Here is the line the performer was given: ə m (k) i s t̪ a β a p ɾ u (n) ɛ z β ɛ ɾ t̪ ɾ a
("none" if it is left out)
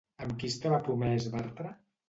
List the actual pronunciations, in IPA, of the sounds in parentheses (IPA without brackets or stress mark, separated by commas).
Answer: k, m